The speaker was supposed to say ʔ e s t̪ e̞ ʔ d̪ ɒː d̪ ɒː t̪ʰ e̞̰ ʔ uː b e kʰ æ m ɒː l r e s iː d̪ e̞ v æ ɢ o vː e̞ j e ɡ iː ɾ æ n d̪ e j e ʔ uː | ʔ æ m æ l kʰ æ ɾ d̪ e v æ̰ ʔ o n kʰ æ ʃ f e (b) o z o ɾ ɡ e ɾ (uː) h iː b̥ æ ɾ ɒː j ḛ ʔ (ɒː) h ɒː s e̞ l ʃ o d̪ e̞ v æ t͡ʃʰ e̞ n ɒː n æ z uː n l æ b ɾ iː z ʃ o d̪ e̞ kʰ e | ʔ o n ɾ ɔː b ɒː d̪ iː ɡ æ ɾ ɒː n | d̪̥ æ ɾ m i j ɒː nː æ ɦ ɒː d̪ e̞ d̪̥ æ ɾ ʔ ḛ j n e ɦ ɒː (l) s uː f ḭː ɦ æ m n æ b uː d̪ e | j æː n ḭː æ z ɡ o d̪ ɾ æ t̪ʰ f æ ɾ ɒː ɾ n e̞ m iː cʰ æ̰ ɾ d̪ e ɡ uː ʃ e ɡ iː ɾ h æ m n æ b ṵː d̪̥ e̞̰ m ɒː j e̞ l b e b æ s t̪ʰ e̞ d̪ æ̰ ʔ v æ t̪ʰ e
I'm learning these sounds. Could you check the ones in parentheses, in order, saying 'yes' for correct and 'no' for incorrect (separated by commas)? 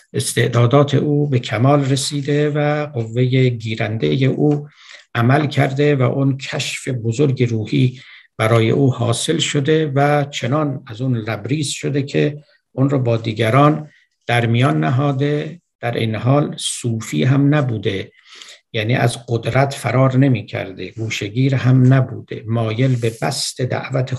yes, yes, no, yes